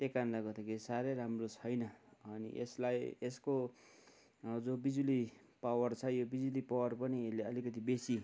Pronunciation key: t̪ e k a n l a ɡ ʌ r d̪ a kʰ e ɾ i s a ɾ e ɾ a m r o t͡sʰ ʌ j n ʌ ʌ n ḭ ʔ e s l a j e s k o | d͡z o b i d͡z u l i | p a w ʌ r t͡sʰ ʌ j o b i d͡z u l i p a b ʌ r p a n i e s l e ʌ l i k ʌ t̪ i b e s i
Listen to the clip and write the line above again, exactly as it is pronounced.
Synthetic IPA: t̪ e k a n l a ɡ ʌ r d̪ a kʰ e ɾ i s a ɾ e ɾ a m r o t͡sʰ ʌ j n ʌ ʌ n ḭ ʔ e s l a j e s k o | d͡z o b i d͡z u l i | p a w ʌ r t͡sʰ ʌ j o b i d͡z u l i p a w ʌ r p ʌ n i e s l e ʌ l i k ʌ t̪ i b e s i